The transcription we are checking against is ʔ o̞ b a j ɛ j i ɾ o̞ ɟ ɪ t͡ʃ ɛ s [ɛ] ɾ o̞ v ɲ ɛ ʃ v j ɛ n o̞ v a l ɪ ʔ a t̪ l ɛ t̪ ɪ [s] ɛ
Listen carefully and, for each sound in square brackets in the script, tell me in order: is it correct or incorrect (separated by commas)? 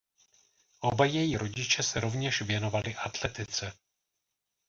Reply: correct, incorrect